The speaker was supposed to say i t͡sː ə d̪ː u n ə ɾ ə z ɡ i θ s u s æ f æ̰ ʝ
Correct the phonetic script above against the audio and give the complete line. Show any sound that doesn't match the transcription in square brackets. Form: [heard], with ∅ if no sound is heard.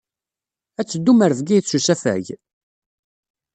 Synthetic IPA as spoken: [æ] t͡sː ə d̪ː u [m] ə ɾ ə [v] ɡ i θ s u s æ f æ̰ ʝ